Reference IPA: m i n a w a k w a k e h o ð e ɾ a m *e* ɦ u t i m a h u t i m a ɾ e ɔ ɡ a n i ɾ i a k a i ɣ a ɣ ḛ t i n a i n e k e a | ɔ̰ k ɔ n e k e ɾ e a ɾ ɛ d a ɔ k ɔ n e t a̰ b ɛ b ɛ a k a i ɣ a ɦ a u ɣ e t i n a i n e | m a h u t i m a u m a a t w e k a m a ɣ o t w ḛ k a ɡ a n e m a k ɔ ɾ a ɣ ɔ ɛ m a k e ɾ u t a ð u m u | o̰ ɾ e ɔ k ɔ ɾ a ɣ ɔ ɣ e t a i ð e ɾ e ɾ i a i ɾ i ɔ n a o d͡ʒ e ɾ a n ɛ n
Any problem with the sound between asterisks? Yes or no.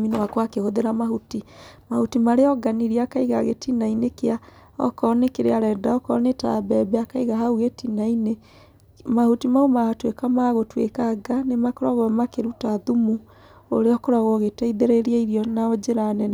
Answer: yes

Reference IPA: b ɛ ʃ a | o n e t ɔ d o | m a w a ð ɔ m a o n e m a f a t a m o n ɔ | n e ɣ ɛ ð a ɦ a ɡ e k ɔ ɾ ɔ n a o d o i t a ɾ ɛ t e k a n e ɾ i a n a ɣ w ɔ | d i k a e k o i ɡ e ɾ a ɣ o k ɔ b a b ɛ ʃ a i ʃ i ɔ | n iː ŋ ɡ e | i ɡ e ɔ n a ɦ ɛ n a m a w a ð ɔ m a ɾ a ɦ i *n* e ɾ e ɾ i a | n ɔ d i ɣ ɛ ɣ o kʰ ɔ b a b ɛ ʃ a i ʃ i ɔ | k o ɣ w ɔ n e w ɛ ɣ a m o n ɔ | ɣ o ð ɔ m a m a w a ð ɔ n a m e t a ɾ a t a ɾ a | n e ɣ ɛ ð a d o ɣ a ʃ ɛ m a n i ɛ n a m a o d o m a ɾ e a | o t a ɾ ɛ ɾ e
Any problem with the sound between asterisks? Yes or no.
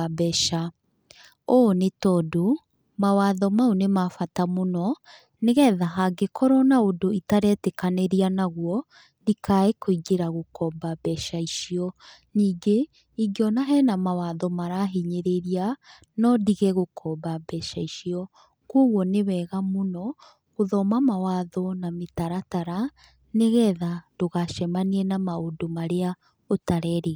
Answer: yes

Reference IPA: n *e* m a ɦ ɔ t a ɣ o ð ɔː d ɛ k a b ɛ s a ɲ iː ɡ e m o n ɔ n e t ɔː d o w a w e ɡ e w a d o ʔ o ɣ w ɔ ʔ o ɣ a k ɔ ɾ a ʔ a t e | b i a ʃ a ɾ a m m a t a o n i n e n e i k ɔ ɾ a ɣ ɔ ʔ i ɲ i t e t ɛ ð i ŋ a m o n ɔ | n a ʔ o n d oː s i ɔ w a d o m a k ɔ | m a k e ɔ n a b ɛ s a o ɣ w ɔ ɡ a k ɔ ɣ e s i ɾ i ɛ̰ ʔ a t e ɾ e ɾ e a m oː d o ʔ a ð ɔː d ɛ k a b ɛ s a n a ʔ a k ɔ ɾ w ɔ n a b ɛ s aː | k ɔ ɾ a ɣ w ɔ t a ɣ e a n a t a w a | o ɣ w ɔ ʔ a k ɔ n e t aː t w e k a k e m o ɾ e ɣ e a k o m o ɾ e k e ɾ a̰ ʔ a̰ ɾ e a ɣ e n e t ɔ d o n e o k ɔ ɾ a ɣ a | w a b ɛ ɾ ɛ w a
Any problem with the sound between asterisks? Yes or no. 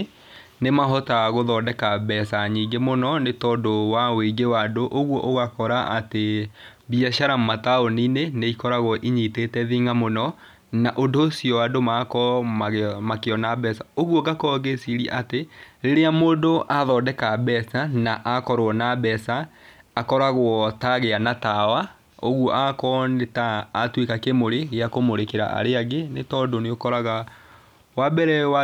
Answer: no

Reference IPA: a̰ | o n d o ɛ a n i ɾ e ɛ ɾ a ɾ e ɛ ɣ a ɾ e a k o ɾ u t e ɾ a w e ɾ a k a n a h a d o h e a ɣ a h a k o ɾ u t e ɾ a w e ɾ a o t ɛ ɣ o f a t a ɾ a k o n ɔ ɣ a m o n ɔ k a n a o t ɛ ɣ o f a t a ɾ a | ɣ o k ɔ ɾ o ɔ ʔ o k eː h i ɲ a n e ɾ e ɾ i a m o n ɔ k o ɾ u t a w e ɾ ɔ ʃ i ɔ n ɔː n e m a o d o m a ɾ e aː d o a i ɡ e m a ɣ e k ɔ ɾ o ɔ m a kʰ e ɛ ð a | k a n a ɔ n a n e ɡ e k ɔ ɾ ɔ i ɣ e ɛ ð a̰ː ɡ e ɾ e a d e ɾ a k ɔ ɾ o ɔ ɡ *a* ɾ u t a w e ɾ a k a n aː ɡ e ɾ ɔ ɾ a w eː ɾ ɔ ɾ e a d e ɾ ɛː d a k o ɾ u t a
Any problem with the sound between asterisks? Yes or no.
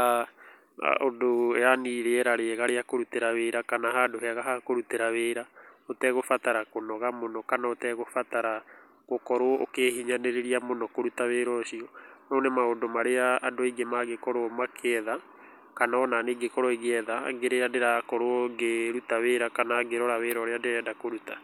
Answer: yes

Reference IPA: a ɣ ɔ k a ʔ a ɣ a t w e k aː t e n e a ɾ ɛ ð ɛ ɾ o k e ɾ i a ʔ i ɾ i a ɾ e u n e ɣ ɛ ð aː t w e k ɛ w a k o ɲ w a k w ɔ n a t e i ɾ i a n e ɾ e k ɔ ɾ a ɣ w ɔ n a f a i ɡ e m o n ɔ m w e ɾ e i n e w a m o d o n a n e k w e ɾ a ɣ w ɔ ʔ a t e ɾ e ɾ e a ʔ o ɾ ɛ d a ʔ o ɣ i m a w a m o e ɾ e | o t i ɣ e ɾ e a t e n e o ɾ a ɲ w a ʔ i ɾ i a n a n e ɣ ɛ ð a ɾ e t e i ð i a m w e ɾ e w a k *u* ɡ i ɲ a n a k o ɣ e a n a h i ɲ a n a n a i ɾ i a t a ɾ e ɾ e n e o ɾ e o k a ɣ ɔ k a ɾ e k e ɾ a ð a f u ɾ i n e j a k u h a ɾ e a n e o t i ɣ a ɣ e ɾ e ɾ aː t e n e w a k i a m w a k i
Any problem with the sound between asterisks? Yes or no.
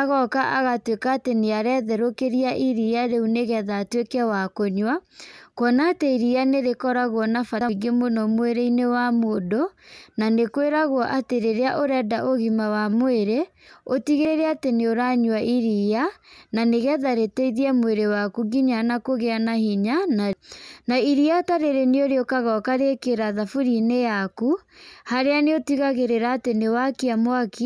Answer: no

